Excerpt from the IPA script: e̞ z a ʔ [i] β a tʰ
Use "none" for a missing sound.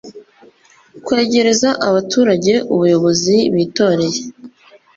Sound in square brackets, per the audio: a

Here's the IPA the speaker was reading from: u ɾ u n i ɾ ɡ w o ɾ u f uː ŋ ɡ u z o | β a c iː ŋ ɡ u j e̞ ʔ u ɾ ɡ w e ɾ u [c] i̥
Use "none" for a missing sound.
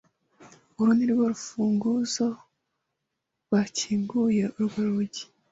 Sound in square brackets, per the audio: ɟ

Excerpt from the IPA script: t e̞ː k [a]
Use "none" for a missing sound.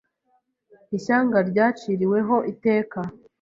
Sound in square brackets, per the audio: a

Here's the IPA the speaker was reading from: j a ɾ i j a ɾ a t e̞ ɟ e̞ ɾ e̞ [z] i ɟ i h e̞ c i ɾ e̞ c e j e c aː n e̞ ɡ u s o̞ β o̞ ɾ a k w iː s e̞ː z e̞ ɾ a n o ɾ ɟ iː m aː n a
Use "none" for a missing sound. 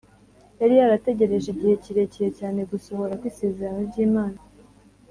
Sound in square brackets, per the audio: ʒ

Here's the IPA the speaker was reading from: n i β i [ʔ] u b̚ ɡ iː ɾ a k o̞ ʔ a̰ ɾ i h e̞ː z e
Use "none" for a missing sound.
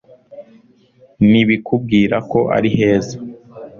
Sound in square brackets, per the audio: k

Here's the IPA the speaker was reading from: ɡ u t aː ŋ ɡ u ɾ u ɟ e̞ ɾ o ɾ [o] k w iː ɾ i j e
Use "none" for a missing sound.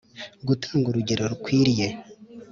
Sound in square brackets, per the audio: u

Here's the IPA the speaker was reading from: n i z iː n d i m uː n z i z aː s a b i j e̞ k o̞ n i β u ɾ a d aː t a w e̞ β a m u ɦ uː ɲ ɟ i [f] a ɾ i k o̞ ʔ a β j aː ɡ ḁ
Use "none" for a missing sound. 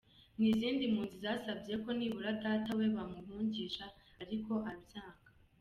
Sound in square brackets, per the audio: ʃ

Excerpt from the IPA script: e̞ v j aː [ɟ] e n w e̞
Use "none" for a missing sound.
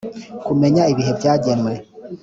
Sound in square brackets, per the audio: ɟ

